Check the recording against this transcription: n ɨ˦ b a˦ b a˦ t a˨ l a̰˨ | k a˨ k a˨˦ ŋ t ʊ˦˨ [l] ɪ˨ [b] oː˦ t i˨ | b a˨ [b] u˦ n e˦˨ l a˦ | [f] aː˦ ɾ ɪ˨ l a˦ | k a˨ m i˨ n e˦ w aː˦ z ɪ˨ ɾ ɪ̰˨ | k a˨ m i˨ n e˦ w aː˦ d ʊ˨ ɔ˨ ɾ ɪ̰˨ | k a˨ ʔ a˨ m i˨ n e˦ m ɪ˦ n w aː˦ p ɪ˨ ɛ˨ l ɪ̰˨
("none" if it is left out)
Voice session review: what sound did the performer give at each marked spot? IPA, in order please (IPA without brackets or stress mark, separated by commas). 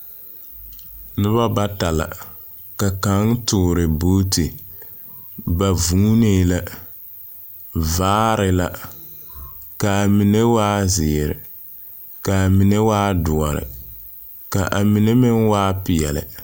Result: ɾ, b, v, v